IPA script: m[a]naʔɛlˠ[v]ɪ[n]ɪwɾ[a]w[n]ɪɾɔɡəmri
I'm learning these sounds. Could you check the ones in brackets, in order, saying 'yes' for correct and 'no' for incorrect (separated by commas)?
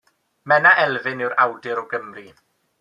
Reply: no, yes, yes, yes, no